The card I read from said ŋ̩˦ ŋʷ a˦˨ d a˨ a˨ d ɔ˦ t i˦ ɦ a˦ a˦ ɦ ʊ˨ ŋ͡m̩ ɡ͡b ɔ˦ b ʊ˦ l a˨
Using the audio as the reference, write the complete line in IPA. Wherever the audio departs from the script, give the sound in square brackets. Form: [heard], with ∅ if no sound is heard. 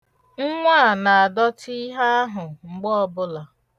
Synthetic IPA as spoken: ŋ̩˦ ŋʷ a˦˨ [n] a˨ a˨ d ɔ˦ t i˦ ɦ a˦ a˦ ɦ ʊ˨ ŋ͡m̩ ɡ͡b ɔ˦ b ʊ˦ l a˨